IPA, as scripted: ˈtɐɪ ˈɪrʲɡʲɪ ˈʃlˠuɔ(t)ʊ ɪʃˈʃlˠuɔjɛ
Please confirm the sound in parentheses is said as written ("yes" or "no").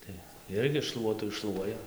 yes